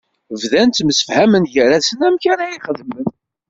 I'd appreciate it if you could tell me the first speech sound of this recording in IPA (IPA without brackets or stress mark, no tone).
v